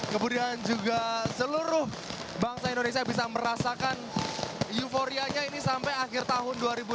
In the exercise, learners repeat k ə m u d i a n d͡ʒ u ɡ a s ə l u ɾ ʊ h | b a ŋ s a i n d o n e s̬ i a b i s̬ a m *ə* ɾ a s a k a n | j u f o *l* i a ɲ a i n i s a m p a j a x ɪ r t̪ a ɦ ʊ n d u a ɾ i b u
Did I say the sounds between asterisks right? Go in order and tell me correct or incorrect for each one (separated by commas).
correct, incorrect